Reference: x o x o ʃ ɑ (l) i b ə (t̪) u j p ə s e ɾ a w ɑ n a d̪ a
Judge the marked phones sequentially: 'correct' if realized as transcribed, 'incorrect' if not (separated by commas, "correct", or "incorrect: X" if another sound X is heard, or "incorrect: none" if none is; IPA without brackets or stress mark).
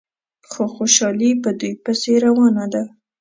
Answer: correct, incorrect: d̪